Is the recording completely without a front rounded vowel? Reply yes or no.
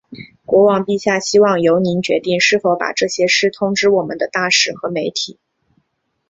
yes